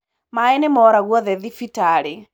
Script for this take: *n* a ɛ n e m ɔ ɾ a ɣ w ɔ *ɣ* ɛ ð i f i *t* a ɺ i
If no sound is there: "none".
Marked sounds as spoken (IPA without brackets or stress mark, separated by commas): m, ð, t